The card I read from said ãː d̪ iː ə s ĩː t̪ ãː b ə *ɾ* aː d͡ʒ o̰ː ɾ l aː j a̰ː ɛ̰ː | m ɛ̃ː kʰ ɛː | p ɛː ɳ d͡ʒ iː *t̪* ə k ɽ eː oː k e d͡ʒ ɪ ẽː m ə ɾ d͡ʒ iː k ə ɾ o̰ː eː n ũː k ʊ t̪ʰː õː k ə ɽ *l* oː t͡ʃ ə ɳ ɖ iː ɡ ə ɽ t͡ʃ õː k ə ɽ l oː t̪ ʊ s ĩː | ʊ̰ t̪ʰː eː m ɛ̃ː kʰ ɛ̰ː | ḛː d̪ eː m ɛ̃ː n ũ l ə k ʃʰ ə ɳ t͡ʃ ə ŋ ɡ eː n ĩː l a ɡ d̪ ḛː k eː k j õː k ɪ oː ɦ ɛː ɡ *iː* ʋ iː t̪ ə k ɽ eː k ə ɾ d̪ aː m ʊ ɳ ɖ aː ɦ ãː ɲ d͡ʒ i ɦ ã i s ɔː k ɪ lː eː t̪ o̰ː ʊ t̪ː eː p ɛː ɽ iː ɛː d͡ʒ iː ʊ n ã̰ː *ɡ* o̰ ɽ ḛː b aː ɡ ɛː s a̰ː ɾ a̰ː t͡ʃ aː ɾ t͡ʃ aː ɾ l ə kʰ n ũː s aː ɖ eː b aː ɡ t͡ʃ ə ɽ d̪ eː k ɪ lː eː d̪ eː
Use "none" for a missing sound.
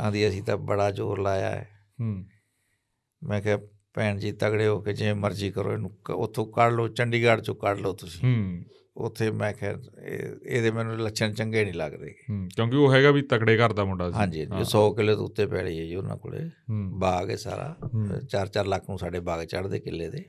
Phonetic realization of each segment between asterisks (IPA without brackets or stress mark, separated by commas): ɽ, t̪, l, aː, k